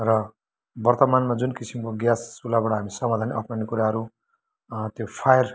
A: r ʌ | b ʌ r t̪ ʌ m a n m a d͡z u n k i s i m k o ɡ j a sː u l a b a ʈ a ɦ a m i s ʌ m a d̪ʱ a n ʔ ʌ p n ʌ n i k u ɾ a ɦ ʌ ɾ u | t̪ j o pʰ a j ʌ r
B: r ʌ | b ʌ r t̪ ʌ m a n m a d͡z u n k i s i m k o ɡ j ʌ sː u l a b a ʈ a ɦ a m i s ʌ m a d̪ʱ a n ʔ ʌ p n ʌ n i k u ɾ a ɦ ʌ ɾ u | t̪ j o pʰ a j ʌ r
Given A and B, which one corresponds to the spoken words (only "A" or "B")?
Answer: A